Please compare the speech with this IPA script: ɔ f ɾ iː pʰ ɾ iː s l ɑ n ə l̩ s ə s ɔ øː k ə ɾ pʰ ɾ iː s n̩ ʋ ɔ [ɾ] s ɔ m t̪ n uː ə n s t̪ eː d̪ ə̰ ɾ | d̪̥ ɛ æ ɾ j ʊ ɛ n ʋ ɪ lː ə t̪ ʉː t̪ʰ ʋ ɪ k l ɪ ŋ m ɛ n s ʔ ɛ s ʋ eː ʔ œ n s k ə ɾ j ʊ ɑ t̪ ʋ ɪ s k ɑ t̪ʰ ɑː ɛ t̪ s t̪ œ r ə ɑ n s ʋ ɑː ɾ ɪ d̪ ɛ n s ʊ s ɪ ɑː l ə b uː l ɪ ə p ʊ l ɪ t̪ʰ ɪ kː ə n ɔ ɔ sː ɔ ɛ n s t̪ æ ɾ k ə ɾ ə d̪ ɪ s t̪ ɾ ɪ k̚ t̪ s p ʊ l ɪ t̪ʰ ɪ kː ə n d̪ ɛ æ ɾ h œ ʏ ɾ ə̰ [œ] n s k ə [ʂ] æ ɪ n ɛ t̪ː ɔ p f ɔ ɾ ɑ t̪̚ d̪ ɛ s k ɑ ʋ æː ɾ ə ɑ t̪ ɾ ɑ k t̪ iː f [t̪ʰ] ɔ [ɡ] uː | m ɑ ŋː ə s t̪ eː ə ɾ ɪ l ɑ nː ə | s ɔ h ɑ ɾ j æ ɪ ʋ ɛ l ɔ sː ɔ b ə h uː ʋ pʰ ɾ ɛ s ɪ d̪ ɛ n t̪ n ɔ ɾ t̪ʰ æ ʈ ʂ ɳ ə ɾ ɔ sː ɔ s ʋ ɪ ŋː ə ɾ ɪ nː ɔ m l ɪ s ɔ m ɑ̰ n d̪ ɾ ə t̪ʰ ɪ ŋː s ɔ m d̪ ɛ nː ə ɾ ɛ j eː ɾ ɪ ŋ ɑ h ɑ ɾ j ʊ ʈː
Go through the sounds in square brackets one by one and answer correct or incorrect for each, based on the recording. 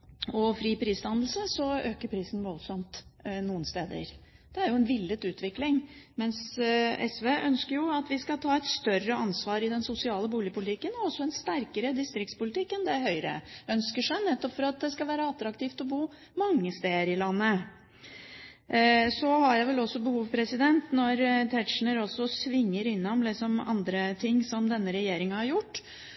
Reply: incorrect: l, correct, correct, incorrect: t̪, incorrect: b

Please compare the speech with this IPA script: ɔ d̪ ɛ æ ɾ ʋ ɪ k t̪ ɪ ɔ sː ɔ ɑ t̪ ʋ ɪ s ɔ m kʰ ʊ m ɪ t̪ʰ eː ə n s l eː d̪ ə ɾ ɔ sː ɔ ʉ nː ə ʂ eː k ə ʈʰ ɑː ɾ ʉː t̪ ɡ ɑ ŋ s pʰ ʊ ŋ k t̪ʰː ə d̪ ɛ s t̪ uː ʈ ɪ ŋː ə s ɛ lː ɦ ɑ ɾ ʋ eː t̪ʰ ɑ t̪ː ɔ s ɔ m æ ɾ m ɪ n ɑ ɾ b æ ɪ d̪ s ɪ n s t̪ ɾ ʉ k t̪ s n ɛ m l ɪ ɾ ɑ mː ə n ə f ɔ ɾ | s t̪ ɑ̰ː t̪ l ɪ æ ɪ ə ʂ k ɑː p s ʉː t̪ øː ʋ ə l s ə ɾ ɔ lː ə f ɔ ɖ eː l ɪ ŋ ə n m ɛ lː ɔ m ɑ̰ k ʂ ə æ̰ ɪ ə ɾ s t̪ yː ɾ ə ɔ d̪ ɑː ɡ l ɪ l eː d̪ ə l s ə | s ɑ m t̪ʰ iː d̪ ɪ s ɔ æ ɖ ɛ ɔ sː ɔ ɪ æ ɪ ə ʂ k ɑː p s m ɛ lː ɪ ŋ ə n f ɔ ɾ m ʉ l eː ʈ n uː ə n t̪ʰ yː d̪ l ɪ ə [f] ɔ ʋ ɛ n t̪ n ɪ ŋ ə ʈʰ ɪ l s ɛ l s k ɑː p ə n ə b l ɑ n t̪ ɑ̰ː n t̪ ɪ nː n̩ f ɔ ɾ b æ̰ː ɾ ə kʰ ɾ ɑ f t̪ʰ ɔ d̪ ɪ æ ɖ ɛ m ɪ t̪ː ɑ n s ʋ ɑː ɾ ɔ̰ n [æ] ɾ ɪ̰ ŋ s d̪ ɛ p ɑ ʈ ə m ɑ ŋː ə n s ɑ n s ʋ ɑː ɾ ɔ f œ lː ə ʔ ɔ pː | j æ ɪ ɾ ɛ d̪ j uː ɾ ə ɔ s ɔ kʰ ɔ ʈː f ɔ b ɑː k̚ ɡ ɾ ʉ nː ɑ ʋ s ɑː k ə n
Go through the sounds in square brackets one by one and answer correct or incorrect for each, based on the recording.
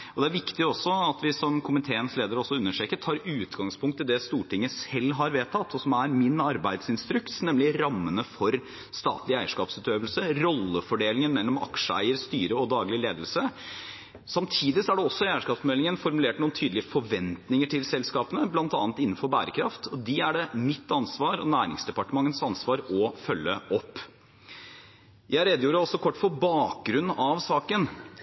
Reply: correct, incorrect: æː

